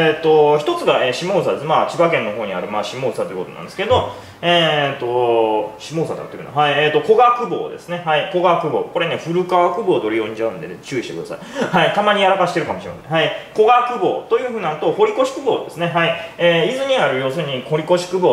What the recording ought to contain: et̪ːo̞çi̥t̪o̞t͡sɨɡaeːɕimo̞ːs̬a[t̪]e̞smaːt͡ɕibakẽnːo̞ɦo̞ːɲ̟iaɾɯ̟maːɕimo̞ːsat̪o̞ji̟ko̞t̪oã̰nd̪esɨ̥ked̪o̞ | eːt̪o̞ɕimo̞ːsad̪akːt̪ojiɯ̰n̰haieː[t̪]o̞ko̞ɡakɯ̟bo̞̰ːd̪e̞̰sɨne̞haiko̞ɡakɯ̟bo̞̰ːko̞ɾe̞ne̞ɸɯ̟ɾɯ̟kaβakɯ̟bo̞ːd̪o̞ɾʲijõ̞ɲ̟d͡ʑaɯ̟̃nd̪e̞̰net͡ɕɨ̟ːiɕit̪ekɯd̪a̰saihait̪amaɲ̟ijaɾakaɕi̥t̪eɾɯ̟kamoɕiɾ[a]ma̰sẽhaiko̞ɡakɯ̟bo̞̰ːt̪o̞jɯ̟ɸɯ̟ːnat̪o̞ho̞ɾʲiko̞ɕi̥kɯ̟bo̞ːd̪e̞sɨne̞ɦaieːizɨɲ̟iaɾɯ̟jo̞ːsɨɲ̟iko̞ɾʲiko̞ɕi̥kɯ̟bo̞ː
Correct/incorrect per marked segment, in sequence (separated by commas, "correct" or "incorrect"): incorrect, correct, incorrect